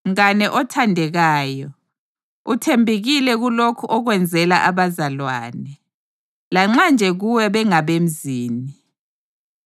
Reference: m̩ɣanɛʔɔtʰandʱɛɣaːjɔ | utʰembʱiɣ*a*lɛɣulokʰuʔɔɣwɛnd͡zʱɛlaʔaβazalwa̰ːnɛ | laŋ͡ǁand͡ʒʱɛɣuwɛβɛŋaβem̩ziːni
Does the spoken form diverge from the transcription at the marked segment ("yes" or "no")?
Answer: yes